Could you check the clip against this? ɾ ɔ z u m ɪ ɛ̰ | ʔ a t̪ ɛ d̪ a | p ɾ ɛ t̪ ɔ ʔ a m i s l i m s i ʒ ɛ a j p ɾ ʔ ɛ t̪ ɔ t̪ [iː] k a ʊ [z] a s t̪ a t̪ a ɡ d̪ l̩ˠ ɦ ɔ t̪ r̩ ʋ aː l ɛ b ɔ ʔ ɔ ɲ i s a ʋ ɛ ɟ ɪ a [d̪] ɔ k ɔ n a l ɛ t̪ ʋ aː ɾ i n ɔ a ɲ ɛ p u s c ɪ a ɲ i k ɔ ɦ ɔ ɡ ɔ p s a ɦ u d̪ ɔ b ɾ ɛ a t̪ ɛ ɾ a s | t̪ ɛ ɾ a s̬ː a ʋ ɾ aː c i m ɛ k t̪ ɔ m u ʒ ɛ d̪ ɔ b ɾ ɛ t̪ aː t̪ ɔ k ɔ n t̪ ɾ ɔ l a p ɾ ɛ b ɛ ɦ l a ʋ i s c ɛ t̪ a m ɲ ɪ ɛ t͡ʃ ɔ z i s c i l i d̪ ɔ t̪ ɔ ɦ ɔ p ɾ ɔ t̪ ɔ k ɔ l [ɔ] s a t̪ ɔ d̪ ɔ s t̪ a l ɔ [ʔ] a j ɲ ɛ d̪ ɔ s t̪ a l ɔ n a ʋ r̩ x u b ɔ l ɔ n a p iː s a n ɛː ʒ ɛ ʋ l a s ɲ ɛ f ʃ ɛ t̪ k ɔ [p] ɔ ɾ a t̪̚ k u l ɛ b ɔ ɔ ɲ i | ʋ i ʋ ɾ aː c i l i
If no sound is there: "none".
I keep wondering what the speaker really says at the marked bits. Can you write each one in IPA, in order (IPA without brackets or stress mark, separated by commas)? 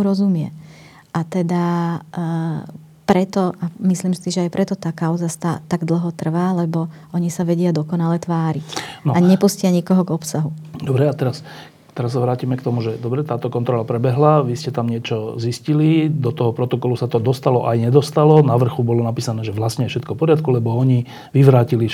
aː, z, d̪, u, ʔ, p